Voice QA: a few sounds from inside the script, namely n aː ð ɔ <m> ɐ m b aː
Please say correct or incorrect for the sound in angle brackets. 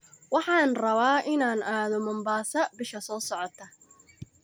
correct